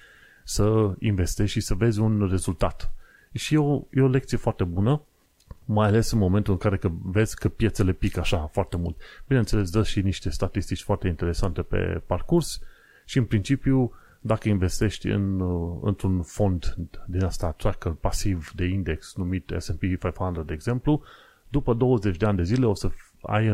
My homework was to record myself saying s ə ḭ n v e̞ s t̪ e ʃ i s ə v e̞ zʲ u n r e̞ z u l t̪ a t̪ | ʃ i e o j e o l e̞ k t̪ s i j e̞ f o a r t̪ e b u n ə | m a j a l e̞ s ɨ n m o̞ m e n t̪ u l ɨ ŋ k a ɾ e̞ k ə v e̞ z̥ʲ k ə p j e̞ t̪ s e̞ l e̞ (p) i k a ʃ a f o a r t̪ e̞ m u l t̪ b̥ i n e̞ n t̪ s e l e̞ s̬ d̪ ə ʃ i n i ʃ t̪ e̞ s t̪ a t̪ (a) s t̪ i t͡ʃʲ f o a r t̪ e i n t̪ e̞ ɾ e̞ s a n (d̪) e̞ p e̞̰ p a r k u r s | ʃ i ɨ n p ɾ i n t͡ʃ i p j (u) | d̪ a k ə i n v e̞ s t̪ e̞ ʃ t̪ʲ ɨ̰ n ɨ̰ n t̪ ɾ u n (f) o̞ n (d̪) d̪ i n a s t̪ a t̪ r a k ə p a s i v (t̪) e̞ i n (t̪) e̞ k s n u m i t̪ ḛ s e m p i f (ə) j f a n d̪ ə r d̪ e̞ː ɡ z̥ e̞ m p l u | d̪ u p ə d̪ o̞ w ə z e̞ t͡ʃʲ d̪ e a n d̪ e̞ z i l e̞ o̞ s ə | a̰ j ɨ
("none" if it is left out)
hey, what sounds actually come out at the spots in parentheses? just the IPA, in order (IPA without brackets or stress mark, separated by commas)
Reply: p, i, t̪, u, f, d̪, d̪, d̪, a